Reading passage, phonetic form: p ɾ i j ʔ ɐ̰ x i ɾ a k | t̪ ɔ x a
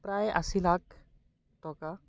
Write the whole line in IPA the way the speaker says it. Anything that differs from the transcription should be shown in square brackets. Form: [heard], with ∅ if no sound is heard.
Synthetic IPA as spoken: p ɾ [a] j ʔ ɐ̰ [s] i [l] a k | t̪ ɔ [k] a